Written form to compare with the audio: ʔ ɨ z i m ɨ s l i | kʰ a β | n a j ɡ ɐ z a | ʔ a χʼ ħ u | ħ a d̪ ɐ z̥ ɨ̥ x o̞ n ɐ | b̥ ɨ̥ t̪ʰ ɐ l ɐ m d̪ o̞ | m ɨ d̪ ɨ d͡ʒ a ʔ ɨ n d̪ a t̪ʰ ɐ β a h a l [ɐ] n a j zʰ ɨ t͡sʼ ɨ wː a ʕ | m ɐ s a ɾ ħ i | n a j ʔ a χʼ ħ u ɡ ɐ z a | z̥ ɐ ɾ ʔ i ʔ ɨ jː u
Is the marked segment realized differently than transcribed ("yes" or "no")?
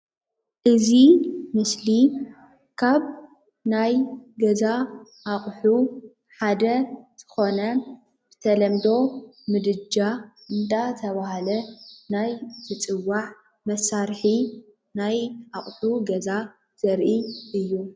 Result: no